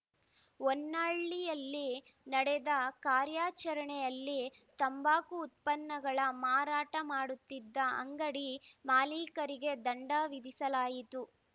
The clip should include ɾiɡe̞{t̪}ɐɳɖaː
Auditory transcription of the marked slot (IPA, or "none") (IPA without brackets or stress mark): d̪